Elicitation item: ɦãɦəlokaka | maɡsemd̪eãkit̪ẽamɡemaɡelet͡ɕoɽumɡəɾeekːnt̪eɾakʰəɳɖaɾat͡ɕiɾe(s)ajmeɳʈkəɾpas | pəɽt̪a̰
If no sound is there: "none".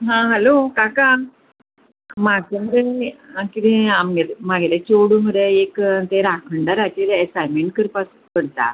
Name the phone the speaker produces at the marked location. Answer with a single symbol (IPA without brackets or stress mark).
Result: s